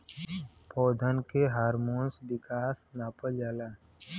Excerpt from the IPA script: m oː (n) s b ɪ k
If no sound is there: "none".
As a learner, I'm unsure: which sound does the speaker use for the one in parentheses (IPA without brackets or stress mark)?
n